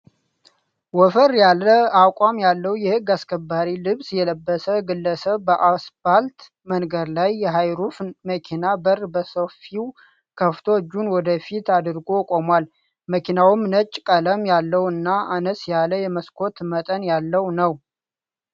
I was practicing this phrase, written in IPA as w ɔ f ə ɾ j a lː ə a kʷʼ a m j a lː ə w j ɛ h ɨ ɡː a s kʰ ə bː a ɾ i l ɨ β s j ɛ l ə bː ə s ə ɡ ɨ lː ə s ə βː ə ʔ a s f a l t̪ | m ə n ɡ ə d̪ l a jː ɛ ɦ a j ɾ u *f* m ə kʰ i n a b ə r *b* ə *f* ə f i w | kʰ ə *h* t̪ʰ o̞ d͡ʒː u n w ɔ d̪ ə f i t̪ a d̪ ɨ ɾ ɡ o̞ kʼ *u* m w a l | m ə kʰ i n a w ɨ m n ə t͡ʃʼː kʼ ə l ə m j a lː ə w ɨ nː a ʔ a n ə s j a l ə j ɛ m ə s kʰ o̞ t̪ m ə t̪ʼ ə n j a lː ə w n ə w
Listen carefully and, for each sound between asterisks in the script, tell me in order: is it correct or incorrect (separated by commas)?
correct, correct, incorrect, incorrect, incorrect